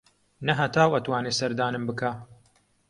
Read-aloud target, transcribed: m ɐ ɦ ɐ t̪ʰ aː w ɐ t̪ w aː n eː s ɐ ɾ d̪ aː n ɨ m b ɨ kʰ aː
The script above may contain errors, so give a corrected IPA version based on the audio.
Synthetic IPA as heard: n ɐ ɦ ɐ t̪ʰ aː w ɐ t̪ w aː n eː s ɐ ɾ d̪ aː n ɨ m b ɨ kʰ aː

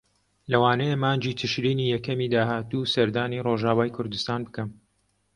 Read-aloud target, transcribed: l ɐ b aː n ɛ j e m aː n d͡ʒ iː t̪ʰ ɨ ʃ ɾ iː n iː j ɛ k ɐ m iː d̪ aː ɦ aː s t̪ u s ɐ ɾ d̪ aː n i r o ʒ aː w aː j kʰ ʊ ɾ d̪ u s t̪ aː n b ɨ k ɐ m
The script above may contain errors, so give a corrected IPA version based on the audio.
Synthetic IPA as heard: l ɐ w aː n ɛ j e m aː n d͡ʒ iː t̪ʰ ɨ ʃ ɾ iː n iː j ɛ k ɐ m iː d̪ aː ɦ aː t̪ u s ɐ ɾ d̪ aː n i r o ʒ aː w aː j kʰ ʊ ɾ d̪ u s t̪ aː n b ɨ k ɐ m

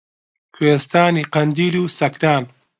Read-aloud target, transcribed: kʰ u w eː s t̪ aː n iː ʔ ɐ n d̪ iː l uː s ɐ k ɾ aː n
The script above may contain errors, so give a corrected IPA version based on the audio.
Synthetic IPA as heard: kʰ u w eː s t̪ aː n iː q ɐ n d̪ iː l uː s ɐ k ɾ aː n

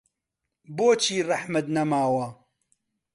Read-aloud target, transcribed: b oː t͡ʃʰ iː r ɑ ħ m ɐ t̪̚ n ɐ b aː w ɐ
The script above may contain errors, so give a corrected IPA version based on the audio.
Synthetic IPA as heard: b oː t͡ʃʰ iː r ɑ ħ m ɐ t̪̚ n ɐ m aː w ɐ

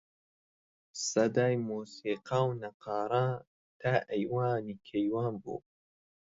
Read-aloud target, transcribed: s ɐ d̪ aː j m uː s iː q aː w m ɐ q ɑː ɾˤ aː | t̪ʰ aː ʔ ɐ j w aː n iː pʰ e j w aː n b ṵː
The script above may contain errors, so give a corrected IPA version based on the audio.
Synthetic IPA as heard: s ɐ d̪ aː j m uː s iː q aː w n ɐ q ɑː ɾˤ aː | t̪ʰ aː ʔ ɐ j w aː n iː kʰ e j w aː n b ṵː

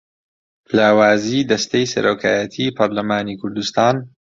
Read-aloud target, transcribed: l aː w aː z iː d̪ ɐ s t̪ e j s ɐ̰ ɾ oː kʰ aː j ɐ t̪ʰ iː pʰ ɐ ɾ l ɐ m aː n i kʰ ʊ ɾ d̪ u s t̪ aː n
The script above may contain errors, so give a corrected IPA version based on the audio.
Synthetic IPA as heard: l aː w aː z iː d̪ ɐ s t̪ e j s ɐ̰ ɾ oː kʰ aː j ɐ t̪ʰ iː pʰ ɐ ɾ l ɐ m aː n i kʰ ʊ ɾ d̪ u s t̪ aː n

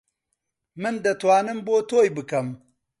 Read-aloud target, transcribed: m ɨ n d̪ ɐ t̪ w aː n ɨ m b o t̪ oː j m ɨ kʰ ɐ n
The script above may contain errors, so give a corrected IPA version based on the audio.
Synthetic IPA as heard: m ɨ n d̪ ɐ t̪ w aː n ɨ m b o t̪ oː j b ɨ k ɐ m

